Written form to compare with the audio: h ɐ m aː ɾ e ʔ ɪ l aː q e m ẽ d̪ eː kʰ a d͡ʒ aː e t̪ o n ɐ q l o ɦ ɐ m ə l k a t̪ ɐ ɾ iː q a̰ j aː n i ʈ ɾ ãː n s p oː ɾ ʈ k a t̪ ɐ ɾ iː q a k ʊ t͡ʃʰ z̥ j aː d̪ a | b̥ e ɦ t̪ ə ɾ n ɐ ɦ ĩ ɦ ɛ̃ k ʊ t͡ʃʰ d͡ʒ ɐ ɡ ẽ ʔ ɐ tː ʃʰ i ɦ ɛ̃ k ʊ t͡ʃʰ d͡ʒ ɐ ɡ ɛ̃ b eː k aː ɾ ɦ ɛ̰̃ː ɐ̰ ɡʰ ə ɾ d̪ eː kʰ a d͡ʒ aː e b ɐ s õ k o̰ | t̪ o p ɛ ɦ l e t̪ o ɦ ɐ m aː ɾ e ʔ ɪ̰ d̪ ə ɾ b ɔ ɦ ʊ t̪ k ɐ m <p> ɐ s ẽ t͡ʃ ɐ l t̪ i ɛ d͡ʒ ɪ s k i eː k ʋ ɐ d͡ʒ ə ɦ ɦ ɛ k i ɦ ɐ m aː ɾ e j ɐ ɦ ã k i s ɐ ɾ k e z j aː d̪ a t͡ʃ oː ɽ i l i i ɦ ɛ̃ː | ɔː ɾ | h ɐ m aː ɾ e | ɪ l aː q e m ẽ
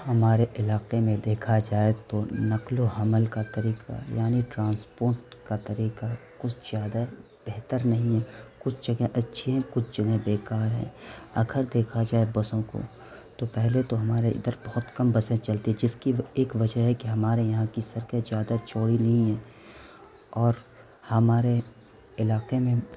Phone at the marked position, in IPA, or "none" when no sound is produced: b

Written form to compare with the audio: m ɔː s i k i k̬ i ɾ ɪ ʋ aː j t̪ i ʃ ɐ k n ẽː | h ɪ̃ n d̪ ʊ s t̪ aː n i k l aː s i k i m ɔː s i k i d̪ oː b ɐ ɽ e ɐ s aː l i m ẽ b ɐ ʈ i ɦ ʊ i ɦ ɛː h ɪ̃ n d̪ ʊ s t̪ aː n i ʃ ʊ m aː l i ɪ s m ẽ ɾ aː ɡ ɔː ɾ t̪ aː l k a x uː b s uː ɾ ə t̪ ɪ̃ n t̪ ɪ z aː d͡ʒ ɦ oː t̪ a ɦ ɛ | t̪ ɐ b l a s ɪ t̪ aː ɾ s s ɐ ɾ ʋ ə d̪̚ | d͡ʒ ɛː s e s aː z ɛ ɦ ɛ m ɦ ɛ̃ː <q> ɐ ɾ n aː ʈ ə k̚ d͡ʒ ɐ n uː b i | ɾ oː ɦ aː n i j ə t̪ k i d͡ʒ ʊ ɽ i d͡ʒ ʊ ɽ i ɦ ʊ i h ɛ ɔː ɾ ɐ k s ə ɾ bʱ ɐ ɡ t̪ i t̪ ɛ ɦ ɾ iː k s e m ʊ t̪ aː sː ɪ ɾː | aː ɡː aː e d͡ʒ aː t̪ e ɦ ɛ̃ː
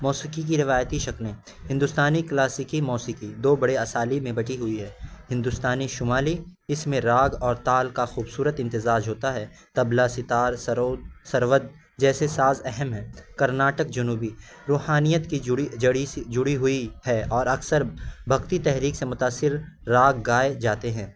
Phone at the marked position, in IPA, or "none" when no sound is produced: k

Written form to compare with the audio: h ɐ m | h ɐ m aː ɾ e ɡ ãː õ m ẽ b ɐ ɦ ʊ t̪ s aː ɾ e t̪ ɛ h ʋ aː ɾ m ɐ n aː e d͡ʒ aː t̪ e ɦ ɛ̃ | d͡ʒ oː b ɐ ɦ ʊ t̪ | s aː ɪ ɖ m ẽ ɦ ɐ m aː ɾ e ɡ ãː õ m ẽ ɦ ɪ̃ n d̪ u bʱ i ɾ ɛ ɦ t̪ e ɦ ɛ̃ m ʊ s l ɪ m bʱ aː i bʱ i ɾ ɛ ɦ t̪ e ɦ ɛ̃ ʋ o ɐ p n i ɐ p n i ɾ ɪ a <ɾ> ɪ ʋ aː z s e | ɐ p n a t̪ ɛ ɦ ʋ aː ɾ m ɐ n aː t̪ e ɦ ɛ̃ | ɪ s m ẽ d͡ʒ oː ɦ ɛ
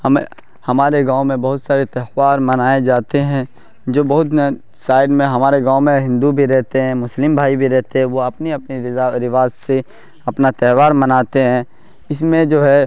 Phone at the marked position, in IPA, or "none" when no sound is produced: ɾ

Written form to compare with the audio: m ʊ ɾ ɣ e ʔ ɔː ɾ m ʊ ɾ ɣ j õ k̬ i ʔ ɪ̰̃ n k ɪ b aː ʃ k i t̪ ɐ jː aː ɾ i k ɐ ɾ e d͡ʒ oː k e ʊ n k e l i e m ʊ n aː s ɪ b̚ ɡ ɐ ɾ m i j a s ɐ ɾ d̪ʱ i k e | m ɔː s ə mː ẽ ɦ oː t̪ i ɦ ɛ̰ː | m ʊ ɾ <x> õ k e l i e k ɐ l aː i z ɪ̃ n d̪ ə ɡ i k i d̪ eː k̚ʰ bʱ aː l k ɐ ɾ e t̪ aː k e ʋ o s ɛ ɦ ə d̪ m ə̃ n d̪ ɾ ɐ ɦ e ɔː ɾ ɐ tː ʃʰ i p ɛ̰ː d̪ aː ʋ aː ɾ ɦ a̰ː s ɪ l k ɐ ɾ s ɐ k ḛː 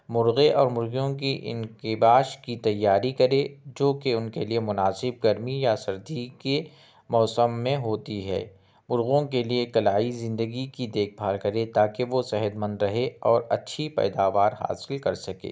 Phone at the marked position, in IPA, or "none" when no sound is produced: ɣ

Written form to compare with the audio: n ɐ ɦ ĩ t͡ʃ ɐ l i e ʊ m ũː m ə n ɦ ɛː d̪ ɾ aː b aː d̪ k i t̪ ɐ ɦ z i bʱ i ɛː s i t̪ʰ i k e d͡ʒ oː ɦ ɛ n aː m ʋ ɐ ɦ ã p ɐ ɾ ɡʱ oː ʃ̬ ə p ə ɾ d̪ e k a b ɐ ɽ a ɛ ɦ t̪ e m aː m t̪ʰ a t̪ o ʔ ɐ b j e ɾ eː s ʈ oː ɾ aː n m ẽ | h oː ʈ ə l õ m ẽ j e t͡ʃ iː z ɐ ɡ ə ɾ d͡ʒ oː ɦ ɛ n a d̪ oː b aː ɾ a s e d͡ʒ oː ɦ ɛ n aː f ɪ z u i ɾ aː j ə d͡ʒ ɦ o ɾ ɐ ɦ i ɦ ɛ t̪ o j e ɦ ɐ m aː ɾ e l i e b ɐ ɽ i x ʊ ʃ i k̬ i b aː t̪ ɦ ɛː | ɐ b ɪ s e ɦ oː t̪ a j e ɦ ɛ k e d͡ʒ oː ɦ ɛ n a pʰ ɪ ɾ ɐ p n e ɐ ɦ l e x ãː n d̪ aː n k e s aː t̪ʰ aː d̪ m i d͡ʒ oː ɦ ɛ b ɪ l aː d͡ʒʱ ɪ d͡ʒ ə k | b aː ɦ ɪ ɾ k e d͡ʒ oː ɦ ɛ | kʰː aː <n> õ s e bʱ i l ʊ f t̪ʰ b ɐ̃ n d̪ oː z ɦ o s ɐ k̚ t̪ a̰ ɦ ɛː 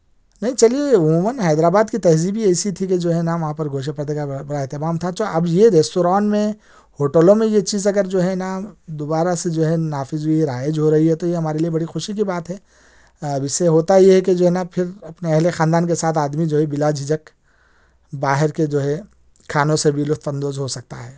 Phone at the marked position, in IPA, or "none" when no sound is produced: n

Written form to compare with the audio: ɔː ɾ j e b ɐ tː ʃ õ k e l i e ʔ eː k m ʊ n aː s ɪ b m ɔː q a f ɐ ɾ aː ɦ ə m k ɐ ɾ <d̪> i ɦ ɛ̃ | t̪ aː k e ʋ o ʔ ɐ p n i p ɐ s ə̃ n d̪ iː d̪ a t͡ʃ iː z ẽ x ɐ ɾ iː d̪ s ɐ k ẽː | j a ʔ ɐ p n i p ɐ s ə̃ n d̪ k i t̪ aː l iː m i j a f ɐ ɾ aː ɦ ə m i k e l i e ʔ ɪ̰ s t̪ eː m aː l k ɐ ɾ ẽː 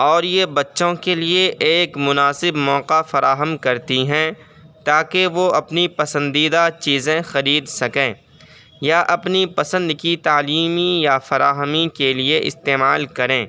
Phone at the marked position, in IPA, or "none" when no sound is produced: t̪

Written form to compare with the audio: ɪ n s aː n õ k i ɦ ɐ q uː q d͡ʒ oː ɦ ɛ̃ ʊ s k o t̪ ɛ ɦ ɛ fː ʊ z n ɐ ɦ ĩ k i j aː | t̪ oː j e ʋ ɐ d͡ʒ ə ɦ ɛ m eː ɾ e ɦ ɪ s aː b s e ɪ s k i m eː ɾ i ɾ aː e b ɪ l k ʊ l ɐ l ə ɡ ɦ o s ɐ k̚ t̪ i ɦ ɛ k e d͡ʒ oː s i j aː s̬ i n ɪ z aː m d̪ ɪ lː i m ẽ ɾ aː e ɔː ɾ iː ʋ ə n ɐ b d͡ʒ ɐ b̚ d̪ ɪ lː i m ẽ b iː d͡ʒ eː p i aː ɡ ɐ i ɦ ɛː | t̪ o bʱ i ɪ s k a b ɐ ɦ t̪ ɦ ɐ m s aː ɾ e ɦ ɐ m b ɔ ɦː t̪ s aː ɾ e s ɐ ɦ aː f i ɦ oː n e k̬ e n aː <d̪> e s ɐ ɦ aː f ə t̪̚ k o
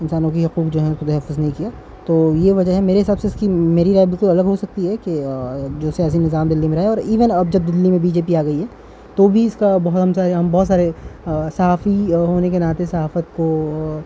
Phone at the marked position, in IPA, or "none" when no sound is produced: t̪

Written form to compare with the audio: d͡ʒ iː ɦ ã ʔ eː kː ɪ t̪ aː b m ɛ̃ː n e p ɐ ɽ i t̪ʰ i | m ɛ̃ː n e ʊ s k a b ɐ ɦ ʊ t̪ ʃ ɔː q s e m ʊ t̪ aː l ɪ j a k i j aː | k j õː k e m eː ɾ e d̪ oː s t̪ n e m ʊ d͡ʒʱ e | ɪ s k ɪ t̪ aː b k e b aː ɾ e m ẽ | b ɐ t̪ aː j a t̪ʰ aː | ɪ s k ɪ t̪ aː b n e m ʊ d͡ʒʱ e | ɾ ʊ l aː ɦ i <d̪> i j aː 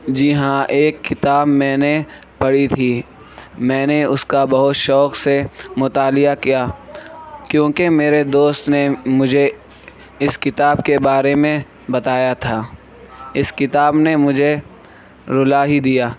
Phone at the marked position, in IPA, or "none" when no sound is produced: d̪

